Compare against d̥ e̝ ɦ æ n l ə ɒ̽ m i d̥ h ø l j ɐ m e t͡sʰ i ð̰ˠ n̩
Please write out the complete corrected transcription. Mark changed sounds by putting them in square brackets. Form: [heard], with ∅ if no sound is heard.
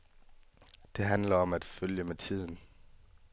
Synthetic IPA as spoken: d̥ e̝ ɦ æ n l [ɐ] ɒ̽ m [æ] d̥ [f] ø l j [ə] m e t͡sʰ i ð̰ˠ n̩